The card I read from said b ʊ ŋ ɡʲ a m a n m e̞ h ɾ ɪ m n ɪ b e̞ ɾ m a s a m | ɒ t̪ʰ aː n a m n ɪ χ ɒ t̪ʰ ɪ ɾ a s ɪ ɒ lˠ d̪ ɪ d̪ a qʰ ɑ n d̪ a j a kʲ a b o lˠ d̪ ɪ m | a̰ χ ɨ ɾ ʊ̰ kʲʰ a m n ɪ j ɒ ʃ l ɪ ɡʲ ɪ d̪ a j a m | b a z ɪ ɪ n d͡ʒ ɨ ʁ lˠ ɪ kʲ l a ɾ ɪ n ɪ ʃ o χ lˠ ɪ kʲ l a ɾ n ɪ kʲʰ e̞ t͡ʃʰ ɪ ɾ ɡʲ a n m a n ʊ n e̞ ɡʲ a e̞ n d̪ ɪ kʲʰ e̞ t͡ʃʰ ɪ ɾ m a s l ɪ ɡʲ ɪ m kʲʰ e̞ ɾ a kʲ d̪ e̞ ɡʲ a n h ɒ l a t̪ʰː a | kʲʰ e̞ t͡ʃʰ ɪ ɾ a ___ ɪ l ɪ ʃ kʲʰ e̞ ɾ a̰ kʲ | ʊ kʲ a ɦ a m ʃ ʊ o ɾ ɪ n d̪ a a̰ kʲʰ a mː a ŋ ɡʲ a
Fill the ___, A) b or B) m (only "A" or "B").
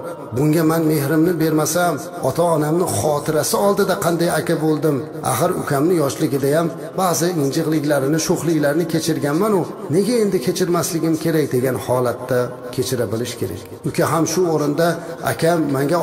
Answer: A